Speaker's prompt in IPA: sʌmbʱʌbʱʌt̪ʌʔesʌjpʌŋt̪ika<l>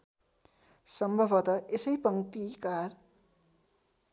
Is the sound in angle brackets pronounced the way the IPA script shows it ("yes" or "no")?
no